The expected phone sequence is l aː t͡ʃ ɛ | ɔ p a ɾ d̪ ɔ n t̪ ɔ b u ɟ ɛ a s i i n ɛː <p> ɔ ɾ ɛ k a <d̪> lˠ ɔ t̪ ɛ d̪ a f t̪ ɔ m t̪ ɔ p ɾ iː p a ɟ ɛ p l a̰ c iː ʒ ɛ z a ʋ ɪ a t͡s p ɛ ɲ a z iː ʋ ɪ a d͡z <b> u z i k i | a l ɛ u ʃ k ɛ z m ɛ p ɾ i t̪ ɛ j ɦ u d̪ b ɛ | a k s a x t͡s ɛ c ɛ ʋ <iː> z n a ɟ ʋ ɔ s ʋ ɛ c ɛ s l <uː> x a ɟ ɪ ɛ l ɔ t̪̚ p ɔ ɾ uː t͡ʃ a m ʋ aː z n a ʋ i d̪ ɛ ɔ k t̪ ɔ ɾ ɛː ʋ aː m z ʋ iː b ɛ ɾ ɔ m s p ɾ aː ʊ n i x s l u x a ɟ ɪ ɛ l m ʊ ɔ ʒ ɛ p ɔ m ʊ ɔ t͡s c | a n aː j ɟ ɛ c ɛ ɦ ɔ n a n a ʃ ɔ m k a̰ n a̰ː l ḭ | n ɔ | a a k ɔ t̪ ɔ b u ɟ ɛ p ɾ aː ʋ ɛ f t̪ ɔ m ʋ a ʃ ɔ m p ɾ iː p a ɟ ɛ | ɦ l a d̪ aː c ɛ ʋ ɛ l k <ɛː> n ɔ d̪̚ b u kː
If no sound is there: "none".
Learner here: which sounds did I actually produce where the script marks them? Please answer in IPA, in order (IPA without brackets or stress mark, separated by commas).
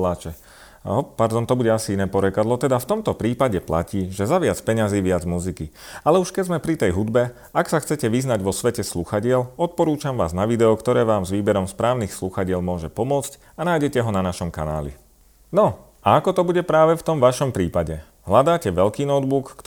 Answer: p, d̪, m, i, u, iː